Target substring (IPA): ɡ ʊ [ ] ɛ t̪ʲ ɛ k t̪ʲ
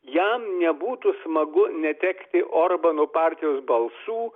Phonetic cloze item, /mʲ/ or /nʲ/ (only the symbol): nʲ